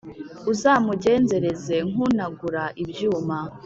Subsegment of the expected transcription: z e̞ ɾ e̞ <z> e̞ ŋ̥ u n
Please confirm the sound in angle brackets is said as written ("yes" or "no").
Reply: yes